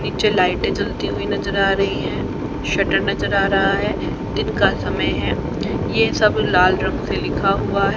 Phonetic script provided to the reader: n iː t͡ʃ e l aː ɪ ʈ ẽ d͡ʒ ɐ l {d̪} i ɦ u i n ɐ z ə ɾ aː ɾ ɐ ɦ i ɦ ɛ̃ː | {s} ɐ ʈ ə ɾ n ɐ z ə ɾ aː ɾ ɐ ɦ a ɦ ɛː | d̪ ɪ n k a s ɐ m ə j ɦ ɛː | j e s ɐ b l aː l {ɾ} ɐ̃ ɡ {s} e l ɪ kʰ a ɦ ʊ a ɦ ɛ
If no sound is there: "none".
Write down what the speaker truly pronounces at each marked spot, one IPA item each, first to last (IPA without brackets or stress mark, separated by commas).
t̪, ʃ, ɾ, s